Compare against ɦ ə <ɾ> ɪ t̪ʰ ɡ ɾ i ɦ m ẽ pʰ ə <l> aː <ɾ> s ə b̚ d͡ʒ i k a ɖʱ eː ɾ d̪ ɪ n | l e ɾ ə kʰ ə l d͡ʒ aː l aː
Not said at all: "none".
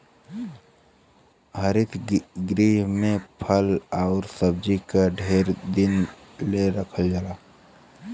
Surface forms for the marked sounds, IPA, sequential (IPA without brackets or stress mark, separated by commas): ɾ, l, ɾ